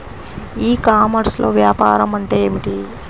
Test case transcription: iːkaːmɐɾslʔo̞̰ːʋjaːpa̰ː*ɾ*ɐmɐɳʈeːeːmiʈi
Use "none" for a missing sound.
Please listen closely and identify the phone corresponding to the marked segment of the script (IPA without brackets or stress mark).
ɾ